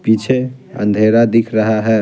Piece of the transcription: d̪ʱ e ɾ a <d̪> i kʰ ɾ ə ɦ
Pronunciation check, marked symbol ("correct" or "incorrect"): correct